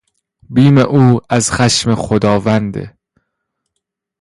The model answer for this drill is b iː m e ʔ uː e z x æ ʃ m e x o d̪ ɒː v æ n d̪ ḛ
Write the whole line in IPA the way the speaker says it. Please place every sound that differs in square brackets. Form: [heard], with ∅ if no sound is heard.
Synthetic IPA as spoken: b iː m e ʔ uː [æ] z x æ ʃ m e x o d̪ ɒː v æ n d̪ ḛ